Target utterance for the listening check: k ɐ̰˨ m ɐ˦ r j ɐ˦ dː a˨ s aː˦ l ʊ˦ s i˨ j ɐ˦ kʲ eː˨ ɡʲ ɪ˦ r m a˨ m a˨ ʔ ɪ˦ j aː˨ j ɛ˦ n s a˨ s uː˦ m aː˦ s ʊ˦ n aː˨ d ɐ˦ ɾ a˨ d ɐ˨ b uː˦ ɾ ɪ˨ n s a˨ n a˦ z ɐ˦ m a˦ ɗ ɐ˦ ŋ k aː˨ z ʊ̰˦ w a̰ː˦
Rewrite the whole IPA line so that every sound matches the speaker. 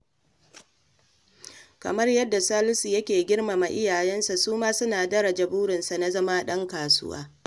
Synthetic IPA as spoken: k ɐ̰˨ m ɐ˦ r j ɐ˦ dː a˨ s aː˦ l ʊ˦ s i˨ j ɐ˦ kʲ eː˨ ɡʲ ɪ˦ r m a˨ m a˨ ʔ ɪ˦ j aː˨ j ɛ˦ n s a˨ s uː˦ m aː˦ s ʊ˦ n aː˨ d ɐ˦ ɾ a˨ d͡ʒ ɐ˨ b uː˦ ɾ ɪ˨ n s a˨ n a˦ z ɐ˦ m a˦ ɗ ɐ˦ ŋ k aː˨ s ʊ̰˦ w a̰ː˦